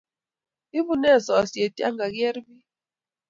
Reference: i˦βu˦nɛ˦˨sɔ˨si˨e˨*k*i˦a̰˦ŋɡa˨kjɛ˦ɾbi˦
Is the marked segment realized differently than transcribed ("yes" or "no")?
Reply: yes